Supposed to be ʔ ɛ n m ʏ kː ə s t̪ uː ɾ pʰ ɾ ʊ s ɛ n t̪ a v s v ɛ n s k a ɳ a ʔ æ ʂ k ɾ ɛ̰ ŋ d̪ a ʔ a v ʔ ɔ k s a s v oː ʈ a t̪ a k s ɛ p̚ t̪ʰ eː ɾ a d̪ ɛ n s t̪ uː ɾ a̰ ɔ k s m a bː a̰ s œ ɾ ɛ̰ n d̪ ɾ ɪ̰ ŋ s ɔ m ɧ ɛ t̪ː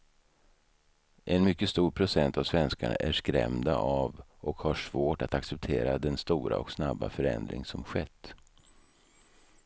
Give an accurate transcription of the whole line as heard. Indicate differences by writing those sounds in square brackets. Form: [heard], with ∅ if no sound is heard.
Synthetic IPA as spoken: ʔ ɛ n m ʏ kː ə s t̪ uː ɾ pʰ ɾ ʊ s ɛ n t̪ a v s v ɛ n s k a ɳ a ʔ æ ʂ k ɾ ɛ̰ [m] d̪ a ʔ a v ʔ ɔ k [h] a [ʂ] v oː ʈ a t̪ a k s ɛ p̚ t̪ʰ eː ɾ a d̪ ɛ n s t̪ uː ɾ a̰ ɔ k s [n] a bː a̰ [f] œ ɾ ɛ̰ n d̪ ɾ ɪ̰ ŋ s ɔ m ɧ ɛ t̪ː